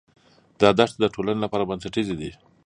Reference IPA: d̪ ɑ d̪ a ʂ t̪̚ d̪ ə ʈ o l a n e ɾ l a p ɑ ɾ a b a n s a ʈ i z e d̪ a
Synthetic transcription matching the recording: d̪ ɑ d̪ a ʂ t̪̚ d̪ ə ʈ o l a n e l a p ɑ ɾ a b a n s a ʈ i z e d̪ i